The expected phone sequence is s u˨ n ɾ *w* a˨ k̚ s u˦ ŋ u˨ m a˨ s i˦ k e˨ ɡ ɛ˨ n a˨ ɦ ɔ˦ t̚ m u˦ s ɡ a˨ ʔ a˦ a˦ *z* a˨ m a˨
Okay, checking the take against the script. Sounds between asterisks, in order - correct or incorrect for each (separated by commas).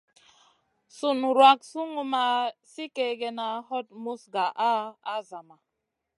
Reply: correct, correct